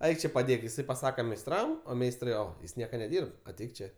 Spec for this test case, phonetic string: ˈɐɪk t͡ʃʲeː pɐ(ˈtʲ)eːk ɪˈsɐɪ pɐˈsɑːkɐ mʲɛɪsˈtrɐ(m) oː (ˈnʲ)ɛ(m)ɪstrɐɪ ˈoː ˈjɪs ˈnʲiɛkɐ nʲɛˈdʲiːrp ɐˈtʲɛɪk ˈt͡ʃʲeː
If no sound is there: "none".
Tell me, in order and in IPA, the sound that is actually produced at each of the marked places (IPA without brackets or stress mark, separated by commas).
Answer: dʲ, m, mʲ, none